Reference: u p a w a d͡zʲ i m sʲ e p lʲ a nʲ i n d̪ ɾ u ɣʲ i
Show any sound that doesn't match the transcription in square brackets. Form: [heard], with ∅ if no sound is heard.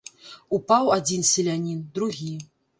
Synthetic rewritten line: u p a w a d͡zʲ i [n] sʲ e [∅] lʲ a nʲ i n d̪ ɾ u ɣʲ i